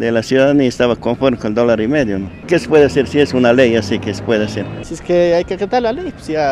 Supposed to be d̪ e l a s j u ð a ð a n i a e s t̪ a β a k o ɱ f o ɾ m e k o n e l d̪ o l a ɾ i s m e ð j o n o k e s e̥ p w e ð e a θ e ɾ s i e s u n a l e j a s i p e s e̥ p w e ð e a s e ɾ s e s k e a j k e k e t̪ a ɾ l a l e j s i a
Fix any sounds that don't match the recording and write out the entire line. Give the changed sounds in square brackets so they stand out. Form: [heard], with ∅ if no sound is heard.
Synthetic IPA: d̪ e l a s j u ð a ð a n i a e s t̪ a β a k o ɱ f o ɾ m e k o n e l d̪ o l a ɾ i [∅] m e ð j o n o k e s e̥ p w e ð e a [s] e ɾ s i e s u n a l e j a s i [k] e s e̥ p w e ð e a s e ɾ s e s k e a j k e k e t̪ a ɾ l a l e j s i a